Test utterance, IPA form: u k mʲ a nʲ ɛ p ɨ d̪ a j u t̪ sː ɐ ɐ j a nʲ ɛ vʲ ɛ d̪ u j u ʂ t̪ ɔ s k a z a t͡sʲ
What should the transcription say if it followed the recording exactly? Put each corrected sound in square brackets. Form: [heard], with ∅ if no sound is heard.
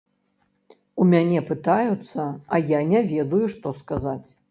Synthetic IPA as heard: u [∅] mʲ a nʲ ɛ p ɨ [t̪] a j u t̪ sː ɐ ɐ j a nʲ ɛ vʲ ɛ d̪ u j u ʂ t̪ ɔ s k a z a t͡sʲ